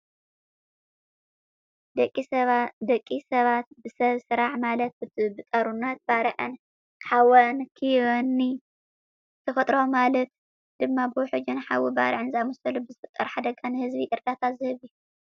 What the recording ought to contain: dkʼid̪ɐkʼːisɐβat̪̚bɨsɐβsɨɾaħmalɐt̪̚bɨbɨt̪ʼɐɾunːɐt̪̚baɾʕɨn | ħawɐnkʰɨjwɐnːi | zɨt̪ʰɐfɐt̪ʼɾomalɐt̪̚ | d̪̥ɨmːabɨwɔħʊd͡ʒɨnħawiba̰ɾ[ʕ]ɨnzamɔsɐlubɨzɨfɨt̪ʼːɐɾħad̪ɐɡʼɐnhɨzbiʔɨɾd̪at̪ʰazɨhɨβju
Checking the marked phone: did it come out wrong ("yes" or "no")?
no